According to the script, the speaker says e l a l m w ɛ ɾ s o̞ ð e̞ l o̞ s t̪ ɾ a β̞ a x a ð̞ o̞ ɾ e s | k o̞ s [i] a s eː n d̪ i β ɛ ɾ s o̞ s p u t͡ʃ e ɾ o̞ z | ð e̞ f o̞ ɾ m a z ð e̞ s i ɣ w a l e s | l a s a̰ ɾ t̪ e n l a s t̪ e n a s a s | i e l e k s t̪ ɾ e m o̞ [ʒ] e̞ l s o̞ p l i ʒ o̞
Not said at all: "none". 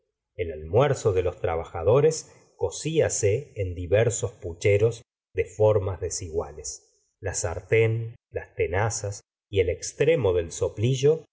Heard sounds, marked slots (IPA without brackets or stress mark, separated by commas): i, ð